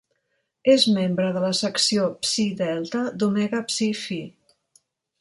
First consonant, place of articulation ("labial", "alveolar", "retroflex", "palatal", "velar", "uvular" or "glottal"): alveolar